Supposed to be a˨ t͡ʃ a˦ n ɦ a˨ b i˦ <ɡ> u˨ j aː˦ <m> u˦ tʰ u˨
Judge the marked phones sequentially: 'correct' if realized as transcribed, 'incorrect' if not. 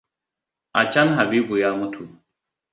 incorrect: b, correct

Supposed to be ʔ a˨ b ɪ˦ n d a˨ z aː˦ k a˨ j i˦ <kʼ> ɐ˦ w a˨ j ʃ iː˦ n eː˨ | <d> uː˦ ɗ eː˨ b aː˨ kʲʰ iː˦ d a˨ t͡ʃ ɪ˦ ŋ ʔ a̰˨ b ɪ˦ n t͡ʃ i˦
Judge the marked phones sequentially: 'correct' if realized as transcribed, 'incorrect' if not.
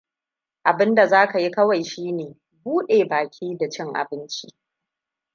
incorrect: k, incorrect: b

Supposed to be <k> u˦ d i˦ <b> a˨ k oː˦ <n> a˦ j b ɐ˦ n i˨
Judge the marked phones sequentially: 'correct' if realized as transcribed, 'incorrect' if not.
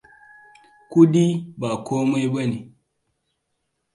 correct, correct, incorrect: m

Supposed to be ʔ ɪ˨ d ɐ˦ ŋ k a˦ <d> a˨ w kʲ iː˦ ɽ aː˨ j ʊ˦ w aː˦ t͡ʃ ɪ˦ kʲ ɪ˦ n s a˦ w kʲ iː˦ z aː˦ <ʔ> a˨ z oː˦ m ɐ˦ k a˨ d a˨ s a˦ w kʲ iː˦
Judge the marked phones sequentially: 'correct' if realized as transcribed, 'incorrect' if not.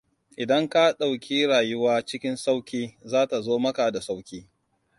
incorrect: ɗ, incorrect: t

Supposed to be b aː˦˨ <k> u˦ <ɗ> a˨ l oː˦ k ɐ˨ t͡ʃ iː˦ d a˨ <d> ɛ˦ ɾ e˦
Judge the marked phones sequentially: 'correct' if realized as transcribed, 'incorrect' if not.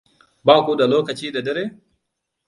correct, incorrect: d, correct

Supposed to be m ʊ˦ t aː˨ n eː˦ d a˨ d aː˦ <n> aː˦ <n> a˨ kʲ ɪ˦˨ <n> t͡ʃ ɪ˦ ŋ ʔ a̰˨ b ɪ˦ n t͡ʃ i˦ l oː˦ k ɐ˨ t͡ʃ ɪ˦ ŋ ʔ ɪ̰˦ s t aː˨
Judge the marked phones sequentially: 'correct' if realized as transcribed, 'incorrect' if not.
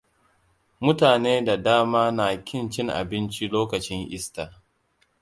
incorrect: m, correct, correct

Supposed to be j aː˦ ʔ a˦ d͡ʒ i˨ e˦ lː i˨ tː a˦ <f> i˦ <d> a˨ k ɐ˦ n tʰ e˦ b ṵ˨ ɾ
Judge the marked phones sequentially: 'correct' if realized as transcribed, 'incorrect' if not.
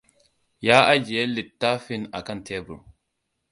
correct, incorrect: n

